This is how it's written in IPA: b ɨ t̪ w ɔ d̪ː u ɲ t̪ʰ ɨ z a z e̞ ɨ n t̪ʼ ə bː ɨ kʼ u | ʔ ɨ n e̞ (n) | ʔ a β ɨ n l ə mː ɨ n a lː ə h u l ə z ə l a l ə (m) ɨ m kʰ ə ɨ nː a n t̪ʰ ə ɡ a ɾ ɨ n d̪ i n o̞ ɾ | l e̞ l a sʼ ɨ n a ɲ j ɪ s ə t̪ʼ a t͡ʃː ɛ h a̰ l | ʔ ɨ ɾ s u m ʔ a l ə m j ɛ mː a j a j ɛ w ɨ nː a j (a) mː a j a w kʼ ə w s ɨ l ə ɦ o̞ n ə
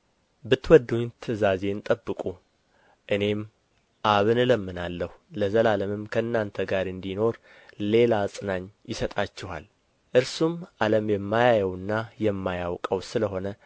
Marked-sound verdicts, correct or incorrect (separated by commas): incorrect, correct, incorrect